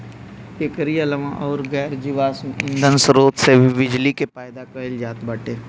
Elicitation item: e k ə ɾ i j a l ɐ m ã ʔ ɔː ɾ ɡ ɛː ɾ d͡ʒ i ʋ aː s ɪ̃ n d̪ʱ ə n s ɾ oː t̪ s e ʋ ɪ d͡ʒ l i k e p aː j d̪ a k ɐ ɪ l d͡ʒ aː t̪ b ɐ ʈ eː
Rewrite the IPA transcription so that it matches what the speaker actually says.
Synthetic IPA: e k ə ɾ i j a l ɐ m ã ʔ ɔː ɾ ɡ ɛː ɾ d͡ʒ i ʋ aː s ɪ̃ n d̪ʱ ə n s ɾ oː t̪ s e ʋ ɪ d͡ʒ l i k e p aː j d̪ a k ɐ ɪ l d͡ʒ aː t̪ b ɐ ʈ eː